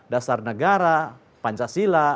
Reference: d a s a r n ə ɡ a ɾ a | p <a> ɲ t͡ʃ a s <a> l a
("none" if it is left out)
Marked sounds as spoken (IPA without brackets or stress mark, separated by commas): a, i